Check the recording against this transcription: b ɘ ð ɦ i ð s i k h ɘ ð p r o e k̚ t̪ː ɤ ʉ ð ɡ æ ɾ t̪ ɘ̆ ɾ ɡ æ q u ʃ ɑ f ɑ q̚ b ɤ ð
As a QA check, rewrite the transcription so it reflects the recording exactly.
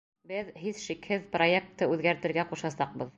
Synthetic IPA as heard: b ɘ ð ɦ i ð ʃ i k h ɘ ð p r o e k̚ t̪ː ɤ ʉ ð ɡ æ ɾ t̪ ɘ̆ ɾ ɡ æ q u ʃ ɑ s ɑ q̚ b ɤ ð